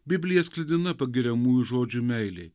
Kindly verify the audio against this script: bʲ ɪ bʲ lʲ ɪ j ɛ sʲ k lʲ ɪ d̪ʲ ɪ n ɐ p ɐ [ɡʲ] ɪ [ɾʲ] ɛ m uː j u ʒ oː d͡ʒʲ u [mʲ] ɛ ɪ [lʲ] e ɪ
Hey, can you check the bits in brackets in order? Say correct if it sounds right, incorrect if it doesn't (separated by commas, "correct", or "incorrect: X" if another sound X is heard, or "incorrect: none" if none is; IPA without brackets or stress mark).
correct, correct, correct, correct